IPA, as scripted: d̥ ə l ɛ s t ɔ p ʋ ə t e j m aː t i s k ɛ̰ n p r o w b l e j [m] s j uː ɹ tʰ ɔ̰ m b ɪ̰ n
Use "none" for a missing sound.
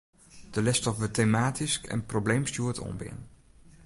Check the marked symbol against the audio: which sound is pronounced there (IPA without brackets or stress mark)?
m